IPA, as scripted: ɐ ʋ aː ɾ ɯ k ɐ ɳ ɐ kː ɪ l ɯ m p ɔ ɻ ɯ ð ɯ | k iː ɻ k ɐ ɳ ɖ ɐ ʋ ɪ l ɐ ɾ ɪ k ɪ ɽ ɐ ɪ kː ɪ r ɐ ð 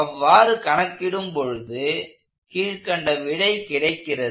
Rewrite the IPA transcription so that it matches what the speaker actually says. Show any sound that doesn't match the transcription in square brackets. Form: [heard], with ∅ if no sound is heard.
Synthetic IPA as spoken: ɐ [ʋː] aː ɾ ɯ k ɐ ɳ ɐ kː ɪ [ɽ] ɯ m p ɔ ɻ ɯ ð ɯ | k iː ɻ k ɐ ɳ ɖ ɐ ʋ ɪ [ɽ] ɐ [∅] ɪ k ɪ ɽ ɐ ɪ kː ɪ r ɐ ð